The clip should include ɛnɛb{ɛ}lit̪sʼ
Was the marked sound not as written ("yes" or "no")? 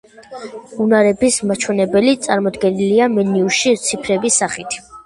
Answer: no